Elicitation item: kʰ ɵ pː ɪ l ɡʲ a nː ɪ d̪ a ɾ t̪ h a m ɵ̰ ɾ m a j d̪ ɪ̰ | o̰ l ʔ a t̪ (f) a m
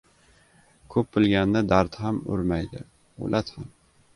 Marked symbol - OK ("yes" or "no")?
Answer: no